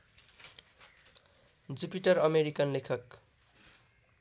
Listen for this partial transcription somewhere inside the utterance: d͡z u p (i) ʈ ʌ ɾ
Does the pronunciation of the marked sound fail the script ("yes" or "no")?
no